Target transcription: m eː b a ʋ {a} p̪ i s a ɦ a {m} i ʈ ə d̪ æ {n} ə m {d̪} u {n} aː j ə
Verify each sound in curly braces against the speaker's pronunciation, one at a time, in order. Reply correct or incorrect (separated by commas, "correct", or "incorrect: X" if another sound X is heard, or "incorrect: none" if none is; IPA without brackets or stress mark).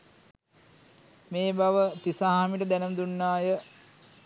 incorrect: ə, correct, correct, correct, incorrect: nː